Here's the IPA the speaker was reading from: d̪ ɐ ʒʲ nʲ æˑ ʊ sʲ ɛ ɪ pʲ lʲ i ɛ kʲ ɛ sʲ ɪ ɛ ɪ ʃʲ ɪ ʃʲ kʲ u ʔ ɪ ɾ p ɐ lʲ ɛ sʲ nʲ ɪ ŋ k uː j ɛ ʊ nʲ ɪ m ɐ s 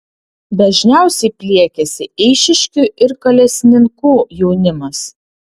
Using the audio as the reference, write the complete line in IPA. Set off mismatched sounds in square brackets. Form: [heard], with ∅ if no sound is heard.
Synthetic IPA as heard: d̪ ɐ ʒʲ nʲ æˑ ʊ sʲ ɛ ɪ pʲ lʲ i ɛ kʲ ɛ sʲ ɪ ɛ ɪ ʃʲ ɪ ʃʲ kʲ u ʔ ɪ ɾ [k] ɐ lʲ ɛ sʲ nʲ ɪ ŋ k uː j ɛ ʊ nʲ ɪ m ɐ s